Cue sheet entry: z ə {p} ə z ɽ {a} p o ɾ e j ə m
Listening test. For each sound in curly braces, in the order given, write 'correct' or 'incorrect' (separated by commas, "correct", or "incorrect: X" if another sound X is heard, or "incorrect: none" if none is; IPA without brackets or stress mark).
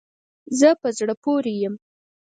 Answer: correct, incorrect: ə